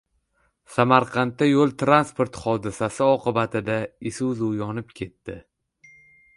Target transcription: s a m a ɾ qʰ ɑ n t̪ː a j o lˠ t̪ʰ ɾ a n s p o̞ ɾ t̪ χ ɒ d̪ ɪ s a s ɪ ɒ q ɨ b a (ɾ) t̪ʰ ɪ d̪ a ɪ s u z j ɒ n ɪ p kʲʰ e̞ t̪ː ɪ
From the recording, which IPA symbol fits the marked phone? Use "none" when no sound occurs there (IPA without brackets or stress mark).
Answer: none